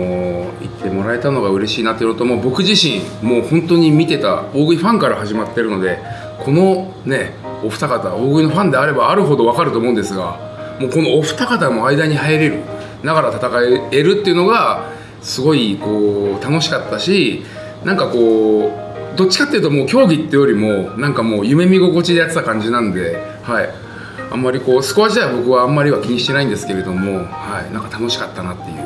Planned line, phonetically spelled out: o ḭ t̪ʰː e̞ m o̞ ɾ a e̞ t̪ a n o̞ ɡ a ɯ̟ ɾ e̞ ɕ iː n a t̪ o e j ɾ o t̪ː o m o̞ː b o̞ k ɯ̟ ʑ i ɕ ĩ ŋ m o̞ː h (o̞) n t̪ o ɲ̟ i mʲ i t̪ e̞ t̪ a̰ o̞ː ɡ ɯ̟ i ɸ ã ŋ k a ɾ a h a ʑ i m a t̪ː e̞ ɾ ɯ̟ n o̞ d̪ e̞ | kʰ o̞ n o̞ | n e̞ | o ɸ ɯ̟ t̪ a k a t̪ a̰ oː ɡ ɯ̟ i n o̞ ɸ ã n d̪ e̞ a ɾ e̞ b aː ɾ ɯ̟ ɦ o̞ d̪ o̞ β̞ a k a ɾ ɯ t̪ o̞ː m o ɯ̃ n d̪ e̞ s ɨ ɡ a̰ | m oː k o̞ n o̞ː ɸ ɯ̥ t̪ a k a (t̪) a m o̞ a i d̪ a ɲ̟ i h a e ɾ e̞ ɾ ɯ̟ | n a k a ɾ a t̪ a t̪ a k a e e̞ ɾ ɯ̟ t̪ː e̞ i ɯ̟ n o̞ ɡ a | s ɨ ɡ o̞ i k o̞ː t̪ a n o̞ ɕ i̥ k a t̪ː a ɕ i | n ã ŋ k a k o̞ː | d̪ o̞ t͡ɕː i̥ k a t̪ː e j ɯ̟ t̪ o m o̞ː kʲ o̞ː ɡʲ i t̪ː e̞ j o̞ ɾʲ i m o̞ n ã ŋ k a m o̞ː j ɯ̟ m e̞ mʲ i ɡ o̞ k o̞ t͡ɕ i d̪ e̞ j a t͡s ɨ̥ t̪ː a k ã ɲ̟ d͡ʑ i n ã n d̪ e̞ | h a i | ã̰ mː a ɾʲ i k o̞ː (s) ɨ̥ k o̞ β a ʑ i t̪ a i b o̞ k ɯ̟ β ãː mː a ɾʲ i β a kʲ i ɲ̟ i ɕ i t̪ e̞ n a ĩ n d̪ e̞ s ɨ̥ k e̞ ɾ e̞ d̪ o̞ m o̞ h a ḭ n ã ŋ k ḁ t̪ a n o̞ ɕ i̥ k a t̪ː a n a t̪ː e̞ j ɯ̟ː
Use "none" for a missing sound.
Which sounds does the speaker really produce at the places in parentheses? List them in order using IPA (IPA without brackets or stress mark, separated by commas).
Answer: õ̞, t̪, s